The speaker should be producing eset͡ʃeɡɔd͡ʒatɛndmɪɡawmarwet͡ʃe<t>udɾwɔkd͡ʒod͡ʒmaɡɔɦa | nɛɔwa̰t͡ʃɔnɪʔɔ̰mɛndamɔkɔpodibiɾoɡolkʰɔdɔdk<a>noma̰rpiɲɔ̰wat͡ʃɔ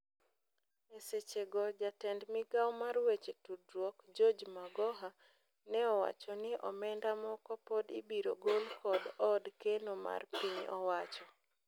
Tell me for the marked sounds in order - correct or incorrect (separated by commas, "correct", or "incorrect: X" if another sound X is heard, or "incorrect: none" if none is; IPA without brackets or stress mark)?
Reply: correct, incorrect: e